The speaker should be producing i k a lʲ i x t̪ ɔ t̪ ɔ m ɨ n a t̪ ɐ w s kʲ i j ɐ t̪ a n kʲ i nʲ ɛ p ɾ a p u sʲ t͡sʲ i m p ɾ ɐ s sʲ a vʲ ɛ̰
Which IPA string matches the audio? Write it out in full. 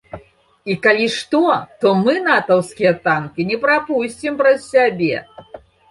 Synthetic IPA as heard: i k a lʲ i ʂ t̪ ɔ t̪ ɔ m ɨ n a t̪ ɐ w s kʲ i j ɐ t̪ a n kʲ i nʲ ɛ p ɾ a p u sʲ t͡sʲ i m p ɾ ɐ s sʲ a bʲ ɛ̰